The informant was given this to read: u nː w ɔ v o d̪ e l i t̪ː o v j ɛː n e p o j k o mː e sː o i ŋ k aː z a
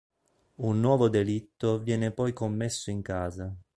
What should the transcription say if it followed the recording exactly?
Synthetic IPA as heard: u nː w ɔː v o d̪ e l i t̪ː o v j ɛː n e p ɔ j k o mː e sː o i ŋ k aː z a